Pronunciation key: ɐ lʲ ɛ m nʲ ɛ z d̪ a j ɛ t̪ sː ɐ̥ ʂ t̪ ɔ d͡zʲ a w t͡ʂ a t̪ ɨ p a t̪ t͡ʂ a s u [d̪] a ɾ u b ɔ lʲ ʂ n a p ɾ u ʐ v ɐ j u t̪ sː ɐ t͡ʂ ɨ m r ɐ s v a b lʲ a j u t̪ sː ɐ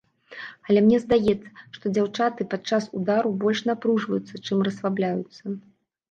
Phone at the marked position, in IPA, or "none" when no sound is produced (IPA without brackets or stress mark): d̪